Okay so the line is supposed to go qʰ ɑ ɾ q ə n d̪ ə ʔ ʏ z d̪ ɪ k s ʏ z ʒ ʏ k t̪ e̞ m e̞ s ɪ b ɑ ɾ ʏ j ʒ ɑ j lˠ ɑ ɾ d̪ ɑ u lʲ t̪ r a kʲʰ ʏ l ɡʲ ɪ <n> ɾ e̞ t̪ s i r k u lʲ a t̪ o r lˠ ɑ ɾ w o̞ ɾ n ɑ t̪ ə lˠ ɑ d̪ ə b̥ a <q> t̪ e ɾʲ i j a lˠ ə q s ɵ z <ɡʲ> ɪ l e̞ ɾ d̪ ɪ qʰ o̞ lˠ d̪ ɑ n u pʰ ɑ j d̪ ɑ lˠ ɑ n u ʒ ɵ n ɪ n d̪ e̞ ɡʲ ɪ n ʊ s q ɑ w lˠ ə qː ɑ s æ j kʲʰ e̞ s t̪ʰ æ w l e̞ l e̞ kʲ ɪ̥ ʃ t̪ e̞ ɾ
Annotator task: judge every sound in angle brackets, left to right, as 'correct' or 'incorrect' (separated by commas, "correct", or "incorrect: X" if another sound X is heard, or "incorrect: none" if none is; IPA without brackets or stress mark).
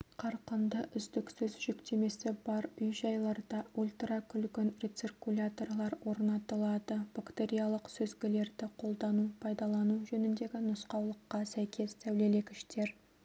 correct, incorrect: k, correct